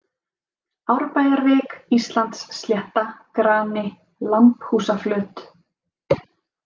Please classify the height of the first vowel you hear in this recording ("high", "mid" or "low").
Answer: low